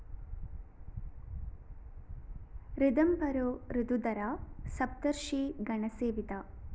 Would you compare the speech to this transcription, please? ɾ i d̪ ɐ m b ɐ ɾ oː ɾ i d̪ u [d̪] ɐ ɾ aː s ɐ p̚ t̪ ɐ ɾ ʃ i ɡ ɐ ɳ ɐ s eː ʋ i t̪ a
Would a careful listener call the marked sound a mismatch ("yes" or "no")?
no